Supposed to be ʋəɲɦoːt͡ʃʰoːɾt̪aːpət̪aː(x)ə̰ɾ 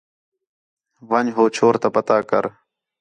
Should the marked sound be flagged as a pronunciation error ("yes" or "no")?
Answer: yes